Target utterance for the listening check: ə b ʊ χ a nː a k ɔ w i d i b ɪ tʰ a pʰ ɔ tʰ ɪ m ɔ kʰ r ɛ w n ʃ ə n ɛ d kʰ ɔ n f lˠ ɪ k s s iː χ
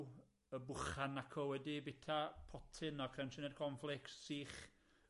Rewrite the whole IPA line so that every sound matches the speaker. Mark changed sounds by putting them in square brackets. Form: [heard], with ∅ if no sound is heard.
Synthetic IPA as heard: ə b ʊ χ a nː a [kʰ] ɔ w [ɛ] d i b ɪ tʰ a pʰ ɔ tʰ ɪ [n] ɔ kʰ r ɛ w n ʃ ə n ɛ d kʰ ɔ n f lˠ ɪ k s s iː χ